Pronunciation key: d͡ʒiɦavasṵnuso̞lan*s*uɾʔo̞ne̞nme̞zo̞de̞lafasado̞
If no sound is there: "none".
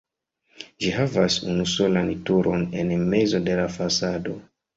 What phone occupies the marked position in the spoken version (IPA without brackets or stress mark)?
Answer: t